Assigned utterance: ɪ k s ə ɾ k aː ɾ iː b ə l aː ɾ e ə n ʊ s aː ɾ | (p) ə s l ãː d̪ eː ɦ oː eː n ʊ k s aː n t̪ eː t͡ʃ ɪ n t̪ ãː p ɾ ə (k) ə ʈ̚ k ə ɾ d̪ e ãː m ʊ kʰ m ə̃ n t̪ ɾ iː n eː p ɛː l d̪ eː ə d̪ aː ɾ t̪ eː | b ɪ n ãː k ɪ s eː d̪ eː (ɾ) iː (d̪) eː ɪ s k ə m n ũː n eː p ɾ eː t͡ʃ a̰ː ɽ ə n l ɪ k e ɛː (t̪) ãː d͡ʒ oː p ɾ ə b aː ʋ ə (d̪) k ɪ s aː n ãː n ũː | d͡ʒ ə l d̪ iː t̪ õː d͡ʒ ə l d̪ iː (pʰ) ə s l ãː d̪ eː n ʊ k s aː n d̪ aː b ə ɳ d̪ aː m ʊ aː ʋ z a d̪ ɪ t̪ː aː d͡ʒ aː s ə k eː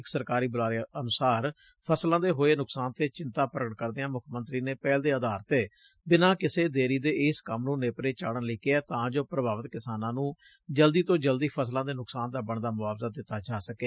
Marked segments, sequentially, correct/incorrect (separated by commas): incorrect, incorrect, correct, correct, correct, incorrect, correct